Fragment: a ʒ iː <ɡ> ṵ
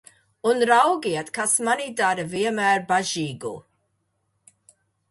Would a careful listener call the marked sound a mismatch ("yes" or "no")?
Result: no